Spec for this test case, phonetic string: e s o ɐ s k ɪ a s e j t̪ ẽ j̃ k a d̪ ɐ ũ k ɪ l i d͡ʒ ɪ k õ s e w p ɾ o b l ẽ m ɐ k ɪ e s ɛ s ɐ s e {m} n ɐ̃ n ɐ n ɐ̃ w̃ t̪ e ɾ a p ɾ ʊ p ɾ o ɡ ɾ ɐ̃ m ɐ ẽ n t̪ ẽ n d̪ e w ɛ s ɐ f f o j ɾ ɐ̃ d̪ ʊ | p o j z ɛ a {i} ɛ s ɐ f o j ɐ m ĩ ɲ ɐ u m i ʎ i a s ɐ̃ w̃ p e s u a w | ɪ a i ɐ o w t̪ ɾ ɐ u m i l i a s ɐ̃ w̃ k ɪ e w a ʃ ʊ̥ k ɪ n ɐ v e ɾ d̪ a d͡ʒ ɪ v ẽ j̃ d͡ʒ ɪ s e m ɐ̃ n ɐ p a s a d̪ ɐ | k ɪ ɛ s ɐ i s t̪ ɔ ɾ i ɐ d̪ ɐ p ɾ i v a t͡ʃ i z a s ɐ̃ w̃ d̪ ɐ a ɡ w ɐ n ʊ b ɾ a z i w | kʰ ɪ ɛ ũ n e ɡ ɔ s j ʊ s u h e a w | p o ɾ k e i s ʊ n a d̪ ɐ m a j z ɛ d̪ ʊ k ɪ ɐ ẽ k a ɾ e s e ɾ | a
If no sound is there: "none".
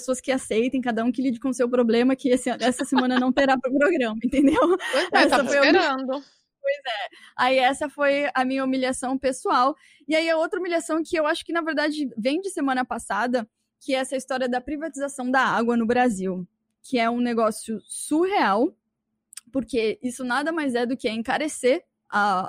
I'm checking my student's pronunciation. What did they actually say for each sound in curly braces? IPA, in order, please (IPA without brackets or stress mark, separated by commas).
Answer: m, i